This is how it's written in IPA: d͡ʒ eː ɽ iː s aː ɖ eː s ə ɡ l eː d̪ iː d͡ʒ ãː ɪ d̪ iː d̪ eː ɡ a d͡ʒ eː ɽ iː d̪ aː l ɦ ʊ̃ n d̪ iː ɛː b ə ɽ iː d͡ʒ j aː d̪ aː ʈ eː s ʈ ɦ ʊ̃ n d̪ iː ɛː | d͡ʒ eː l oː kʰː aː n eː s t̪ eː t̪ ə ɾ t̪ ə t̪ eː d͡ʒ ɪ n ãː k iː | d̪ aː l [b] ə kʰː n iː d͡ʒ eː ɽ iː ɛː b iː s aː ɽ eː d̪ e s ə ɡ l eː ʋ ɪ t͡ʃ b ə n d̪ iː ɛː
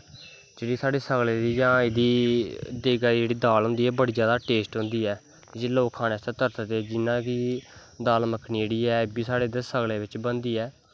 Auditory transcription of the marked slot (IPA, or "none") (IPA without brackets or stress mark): m